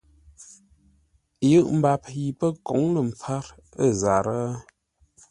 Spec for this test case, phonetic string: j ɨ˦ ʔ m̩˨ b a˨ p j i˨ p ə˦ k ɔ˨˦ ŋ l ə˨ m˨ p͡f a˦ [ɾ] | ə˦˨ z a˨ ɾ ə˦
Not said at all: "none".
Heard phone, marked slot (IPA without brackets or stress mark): ɾ